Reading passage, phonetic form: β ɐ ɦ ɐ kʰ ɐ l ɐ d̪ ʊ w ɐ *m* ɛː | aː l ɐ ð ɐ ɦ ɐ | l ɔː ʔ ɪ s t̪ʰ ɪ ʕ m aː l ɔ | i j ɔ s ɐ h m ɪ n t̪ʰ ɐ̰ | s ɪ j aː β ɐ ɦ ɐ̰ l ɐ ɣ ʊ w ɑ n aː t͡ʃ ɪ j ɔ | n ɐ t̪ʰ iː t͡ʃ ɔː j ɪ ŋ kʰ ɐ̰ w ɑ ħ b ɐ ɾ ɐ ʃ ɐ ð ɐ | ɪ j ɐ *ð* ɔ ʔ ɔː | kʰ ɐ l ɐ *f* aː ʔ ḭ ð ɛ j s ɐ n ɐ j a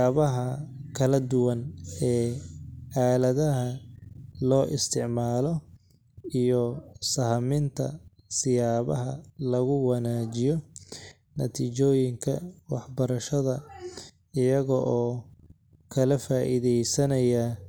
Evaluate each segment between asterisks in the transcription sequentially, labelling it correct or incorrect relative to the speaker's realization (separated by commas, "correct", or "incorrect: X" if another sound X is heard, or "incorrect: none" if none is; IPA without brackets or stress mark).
incorrect: n, incorrect: ɣ, correct